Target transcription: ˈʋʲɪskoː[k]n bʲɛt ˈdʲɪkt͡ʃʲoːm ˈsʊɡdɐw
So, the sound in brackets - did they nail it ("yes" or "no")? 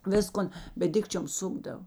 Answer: no